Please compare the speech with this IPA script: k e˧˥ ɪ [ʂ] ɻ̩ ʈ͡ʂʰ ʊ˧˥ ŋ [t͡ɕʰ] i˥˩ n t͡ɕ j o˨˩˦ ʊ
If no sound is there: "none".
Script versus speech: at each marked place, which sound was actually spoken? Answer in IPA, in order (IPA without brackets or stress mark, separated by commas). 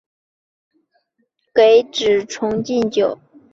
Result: ʈ͡ʂ, t͡ɕ